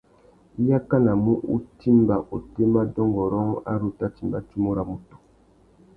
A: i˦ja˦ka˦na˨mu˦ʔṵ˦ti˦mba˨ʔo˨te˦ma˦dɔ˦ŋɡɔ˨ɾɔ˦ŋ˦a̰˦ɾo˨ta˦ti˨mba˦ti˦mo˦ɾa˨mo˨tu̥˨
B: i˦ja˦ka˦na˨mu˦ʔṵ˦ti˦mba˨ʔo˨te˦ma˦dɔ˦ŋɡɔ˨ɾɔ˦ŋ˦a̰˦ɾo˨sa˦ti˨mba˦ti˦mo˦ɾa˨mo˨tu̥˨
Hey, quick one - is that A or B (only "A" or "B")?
A